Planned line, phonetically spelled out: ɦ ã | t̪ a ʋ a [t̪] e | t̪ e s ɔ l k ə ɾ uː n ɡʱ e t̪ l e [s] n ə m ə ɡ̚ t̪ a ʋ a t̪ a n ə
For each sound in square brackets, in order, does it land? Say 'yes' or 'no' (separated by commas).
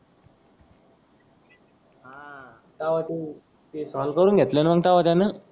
yes, no